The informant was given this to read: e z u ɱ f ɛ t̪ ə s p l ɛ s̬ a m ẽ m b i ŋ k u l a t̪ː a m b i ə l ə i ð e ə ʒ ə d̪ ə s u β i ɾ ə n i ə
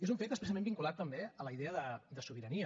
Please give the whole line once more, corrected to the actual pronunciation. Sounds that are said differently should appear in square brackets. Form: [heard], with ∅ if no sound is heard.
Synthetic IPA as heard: e z u ɱ f [e] t̪ ə s p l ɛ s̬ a m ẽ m b i ŋ k u l a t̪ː [ə] m b [e] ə l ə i ð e ə [ð] ə d̪ ə s u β i ɾ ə n i ə

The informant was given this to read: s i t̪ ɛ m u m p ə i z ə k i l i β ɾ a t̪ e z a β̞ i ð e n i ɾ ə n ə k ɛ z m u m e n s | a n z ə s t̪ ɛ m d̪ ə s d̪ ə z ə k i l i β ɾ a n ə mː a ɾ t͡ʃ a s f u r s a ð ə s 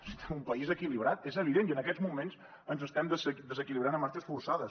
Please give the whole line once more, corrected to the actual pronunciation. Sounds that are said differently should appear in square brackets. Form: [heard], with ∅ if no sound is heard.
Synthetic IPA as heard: s i t̪ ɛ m u m p ə i z ə k i l i β ɾ a t̪ e z [ə] β̞ i ð e n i [∅] ə n ə k ɛ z m u m e n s | [ə] n z ə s t̪ ɛ m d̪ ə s d̪ ə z ə k i l i β ɾ a n ə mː a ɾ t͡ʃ [ə] s f u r s a ð ə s

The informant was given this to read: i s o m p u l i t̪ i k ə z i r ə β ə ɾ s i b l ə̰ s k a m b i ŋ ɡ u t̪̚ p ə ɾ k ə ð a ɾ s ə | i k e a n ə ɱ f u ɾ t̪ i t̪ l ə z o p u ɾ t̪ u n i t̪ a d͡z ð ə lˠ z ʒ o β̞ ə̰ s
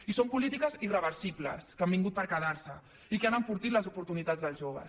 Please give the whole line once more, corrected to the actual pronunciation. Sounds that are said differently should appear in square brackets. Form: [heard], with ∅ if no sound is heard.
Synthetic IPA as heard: i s o m p u l i t̪ i k ə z i r ə β ə ɾ s i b l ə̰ s k a m b i ŋ ɡ u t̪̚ p ə ɾ k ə ð a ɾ s ə | i k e a n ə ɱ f u ɾ t̪ i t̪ l ə z [u] p u ɾ t̪ u n i t̪ a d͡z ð ə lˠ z ʒ o β̞ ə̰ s

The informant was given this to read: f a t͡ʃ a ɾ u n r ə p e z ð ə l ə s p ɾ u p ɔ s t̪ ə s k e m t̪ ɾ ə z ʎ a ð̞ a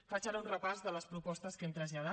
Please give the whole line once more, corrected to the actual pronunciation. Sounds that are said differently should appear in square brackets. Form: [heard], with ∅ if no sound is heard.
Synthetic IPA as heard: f a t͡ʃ a ɾ u n r ə p [a] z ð ə l ə s p ɾ u p ɔ s t̪ ə s k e m t̪ ɾ ə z ʎ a ð̞ a

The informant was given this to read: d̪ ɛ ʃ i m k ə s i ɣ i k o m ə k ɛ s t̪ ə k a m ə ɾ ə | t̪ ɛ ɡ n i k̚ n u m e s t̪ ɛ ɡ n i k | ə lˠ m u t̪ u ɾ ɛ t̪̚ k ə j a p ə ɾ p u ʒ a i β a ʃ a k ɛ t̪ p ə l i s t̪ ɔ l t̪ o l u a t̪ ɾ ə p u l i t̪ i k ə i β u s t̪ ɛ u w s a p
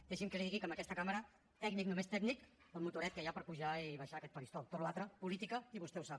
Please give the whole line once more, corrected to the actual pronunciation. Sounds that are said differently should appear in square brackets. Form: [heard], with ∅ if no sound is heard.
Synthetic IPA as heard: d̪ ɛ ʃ i m k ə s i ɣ i k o m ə k ɛ s t̪ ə k a m ə ɾ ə | t̪ ɛ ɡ n i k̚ n u m e s t̪ ɛ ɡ n i k | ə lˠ m u t̪ u ɾ ɛ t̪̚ k ə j a p ə ɾ p u ʒ a i β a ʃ a k ɛ t̪ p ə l i s t̪ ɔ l t̪ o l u a t̪ ɾ ə p u l i t̪ i k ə i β u s t̪ ɛ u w s a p

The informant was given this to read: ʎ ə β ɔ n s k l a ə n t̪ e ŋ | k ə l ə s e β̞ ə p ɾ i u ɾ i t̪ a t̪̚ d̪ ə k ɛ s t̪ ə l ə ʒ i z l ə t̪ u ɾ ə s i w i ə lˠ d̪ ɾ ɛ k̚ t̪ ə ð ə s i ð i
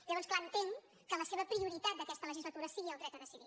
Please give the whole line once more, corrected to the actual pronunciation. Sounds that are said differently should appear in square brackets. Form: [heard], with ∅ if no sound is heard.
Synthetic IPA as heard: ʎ ə β ɔ n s k l a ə n t̪ e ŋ | k ə l ə s e β̞ ə p ɾ i u ɾ i t̪ a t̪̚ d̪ ə k ɛ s t̪ ə l ə ʒ i z l ə t̪ u ɾ ə s i [ɣ] i ə lˠ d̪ ɾ ɛ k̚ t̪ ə ð ə s i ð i

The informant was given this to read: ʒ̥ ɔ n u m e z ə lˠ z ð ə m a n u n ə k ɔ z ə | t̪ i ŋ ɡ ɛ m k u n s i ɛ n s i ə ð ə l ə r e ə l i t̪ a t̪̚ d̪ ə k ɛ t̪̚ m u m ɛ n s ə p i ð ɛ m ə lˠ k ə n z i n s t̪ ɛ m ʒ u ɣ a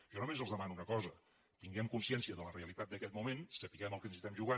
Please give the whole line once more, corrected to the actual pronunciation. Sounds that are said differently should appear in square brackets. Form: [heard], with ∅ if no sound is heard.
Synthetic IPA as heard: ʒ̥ ɔ n u m e z ə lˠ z ð ə m a n u n ə k ɔ z ə | t̪ i ŋ ɡ ɛ m k u n s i ɛ n s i ə ð ə l ə r e ə l i t̪ a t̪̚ d̪ ə k ɛ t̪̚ m u m [e] n s ə p i [ɣ] ɛ m ə lˠ k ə n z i [∅] s t̪ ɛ m ʒ u ɣ a

